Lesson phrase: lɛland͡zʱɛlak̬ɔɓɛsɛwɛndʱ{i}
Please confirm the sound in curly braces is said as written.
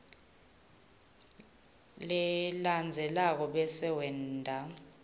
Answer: no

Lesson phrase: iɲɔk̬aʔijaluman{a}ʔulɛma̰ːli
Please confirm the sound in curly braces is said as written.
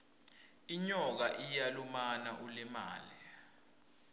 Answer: yes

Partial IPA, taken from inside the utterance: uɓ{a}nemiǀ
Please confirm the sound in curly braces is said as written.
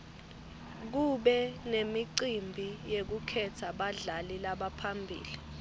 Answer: no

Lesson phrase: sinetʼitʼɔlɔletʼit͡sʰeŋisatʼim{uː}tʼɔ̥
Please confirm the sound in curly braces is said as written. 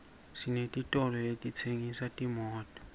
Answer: no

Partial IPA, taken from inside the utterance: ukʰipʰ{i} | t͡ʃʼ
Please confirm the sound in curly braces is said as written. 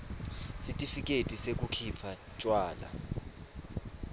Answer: no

